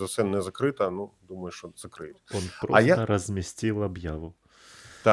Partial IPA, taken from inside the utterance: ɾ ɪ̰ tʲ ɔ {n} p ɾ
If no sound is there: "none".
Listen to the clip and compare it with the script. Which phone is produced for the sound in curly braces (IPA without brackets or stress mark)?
n